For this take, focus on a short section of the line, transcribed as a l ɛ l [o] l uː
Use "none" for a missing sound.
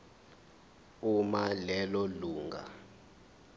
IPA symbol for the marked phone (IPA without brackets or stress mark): ɔ